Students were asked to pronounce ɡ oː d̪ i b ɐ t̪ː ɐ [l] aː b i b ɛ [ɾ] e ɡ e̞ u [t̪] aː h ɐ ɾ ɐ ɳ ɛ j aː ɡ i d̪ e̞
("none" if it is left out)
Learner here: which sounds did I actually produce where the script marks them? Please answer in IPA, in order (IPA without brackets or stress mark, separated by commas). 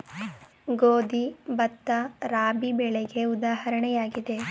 ɾ, ɭ, d̪